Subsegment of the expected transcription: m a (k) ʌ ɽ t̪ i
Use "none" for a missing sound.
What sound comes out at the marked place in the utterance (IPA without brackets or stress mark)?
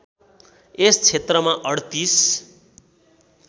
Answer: ʔ